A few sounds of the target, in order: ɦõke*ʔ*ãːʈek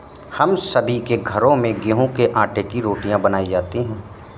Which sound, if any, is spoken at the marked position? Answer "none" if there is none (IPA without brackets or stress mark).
ʔ